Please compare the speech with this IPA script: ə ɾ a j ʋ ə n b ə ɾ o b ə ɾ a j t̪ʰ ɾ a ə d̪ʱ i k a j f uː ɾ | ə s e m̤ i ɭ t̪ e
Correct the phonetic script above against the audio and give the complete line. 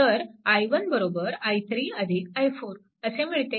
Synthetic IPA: ə ɾ a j ʋ ə n b ə ɾ o b ə ɾ a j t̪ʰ ɾ i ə d̪ʱ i k a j f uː ɾ | ə s e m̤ i ɭ t̪ e

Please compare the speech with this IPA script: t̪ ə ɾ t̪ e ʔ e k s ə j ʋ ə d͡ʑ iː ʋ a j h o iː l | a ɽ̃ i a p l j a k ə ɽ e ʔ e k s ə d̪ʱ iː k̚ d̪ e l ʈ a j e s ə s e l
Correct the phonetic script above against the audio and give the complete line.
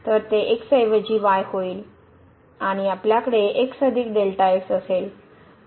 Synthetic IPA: t̪ ə ɾ t̪ e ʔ e k s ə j ʋ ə d͡ʑ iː ʋ a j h o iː l | a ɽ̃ i a p l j a k ə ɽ e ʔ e k s ə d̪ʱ iː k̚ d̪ e l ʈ a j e s ə s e l

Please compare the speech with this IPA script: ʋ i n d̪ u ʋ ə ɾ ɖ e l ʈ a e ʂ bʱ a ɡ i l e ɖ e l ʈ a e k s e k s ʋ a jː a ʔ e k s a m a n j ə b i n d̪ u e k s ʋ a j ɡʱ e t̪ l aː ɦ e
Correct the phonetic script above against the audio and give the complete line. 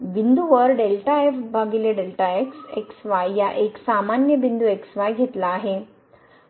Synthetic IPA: ʋ i n d̪ u ʋ ə ɾ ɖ e l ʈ a e f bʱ a ɡ i l e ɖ e l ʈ a e k s e k s ʋ a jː a ʔ e k s a m a n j ə b i n d̪ u e k s ʋ a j ɡʱ e t̪ l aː ɦ e

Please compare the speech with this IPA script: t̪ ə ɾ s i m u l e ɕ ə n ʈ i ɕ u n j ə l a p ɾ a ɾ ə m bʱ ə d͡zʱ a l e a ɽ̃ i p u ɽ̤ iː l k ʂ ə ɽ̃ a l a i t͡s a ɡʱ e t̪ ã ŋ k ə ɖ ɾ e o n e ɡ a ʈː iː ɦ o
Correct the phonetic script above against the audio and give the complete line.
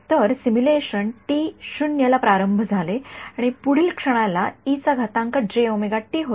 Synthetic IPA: t̪ ə ɾ s i m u l e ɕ ə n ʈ i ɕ u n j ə l a p ɾ a ɾ ə m bʱ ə d͡zʱ a l e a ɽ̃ i p u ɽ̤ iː l k ʂ ə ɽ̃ a l a i t͡s a ɡʱ a t̪ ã ŋ k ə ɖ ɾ e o m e ɡ a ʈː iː ɦ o

